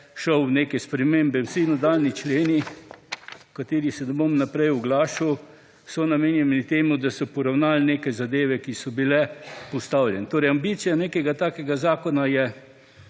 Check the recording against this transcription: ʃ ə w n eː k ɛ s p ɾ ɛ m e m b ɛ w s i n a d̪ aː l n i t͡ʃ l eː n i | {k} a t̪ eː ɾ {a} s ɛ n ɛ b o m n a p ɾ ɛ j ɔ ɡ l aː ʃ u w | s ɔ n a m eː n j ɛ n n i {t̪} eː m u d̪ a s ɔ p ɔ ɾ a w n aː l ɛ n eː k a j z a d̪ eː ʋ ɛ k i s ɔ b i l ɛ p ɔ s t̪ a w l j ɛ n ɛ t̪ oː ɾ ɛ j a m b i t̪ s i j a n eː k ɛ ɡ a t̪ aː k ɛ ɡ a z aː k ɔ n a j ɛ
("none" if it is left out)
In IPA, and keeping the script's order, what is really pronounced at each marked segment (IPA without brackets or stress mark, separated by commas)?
k, i, t̪